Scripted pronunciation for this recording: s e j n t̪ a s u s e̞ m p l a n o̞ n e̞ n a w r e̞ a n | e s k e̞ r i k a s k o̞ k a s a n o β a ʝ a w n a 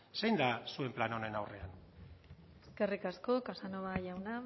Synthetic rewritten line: s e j n d̪ a s u e̞ m p l a n o̞ n e̞ n a w r e̞ a n | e s k e̞ r i k a s k o̞ k a s a n o β a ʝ a w n a